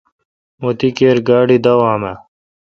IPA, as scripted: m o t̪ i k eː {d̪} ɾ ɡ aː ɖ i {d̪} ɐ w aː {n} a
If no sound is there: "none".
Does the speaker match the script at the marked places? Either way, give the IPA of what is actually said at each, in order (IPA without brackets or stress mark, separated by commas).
none, d̪, m